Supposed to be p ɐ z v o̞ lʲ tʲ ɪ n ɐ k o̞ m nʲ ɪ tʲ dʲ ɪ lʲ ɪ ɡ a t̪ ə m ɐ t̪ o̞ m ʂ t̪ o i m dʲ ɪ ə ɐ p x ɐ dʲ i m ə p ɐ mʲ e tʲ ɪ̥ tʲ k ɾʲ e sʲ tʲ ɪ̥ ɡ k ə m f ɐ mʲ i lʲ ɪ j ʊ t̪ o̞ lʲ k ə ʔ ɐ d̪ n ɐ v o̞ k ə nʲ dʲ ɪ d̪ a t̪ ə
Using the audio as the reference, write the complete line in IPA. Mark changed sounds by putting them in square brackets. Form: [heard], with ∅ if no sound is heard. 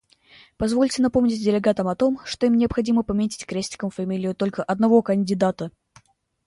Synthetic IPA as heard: p ɐ z v o̞ lʲ tʲ ɪ n ɐ [p] o̞ m nʲ ɪ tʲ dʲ ɪ lʲ ɪ ɡ a t̪ ə m ɐ t̪ o̞ m ʂ t̪ o i m [nʲ] ɪ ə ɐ p x ɐ dʲ i m ə p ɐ mʲ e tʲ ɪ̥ tʲ k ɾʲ e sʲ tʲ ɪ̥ [∅] k ə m f ɐ mʲ i lʲ ɪ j ʊ t̪ o̞ lʲ k ə ʔ ɐ d̪ n ɐ v o̞ k ə nʲ dʲ ɪ d̪ a t̪ ə

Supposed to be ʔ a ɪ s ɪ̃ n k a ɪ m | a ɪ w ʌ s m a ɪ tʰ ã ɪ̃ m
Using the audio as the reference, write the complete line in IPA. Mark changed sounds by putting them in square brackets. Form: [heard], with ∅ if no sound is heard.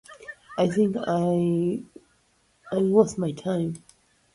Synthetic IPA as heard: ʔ a ɪ [θ] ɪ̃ [ŋ] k a ɪ [∅] | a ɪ w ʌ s m a ɪ tʰ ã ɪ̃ m

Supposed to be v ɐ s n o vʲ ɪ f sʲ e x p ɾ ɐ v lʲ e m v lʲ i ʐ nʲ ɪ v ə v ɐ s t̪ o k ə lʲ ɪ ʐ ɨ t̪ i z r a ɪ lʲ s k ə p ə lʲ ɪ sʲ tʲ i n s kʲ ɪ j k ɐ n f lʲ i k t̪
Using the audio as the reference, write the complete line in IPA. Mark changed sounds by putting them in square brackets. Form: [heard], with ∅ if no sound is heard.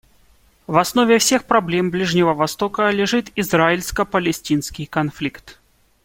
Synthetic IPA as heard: v ɐ s n o vʲ ɪ f sʲ e x p ɾ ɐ [b] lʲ e m [b] lʲ i ʐ nʲ ɪ v ə v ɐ s t̪ o k ə lʲ ɪ ʐ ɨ t̪ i z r a ɪ lʲ s k ə p ə lʲ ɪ sʲ tʲ i n s kʲ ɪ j k ɐ n f lʲ i k t̪

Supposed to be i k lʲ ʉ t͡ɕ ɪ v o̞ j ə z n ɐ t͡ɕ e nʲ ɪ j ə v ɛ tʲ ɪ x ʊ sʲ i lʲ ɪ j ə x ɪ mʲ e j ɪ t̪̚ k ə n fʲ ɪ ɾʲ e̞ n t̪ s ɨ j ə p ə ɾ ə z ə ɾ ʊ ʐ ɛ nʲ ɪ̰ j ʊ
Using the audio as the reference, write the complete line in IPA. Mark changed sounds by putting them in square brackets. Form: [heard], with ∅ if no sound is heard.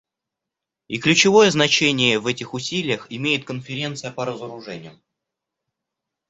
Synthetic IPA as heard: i k lʲ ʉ t͡ɕ ɪ v o̞ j ə z n ɐ t͡ɕ e nʲ ɪ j ə v ɛ tʲ ɪ x ʊ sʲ i lʲ ɪ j ə x ɪ mʲ e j ɪ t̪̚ k ə n fʲ ɪ ɾʲ e̞ n t̪ s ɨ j ə p ə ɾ ə z ə ɾ ʊ ʐ ɛ nʲ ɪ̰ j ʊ

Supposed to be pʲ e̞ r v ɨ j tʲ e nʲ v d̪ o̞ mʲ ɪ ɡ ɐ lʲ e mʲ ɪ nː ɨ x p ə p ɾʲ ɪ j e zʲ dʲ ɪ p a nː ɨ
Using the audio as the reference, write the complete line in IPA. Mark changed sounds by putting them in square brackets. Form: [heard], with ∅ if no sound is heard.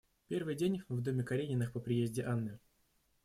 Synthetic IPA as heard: pʲ e̞ r v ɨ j [dʲ] e nʲ v d̪ o̞ mʲ ɪ [k] ɐ [ɾʲ] e [nʲ] ɪ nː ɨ x p ə p ɾʲ ɪ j e zʲ dʲ ɪ [ʔ] a nː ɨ

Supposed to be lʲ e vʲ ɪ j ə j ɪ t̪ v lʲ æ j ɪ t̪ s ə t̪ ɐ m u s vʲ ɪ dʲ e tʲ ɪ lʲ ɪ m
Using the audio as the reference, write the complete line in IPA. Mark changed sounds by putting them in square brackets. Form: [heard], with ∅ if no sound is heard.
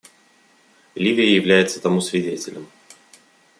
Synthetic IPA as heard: lʲ [i] vʲ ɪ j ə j ɪ [∅] v lʲ æ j ɪ t̪ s ə t̪ ɐ m u s vʲ ɪ dʲ e tʲ ɪ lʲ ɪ m

